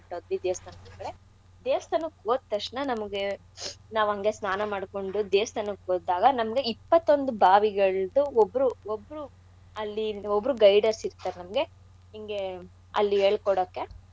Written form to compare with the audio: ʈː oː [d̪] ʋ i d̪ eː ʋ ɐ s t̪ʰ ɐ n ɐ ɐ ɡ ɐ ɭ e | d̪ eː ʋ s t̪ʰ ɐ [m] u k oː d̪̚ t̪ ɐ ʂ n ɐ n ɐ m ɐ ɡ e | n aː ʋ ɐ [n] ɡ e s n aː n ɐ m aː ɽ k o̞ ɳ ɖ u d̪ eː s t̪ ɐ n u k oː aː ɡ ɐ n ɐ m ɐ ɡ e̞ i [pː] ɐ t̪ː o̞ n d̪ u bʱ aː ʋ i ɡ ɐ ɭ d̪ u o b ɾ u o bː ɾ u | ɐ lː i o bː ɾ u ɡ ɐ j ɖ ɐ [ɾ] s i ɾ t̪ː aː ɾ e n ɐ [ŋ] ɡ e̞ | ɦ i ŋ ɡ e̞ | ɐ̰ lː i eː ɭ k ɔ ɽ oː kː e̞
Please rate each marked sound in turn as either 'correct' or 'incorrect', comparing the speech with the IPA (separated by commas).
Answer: correct, incorrect, incorrect, correct, correct, incorrect